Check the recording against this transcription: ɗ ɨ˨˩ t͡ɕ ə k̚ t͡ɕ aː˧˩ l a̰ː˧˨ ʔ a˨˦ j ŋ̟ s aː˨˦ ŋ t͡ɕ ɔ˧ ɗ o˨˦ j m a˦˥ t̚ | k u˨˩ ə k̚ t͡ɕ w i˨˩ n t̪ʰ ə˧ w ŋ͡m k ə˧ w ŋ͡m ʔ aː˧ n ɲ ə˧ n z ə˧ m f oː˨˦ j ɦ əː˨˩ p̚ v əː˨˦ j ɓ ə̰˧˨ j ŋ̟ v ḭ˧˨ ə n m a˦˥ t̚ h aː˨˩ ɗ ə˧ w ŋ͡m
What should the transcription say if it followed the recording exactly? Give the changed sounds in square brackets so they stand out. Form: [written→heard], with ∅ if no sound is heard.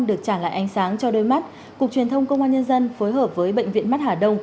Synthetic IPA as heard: ɗ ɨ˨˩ [t͡ɕ→∅] ə k̚ t͡ɕ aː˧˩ l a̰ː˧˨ ʔ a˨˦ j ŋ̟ s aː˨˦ ŋ t͡ɕ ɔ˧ ɗ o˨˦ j m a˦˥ t̚ | k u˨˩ ə k̚ t͡ɕ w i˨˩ n t̪ʰ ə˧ w ŋ͡m k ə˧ w ŋ͡m ʔ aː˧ n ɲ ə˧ n z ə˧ [m→n] f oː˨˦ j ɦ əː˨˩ p̚ v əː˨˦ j ɓ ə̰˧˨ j ŋ̟ v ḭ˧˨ ə n m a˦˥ t̚ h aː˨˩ ɗ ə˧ w ŋ͡m